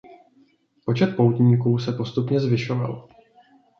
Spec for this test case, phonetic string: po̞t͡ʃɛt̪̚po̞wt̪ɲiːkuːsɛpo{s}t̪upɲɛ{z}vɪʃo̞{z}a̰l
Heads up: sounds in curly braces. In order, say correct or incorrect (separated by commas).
correct, correct, incorrect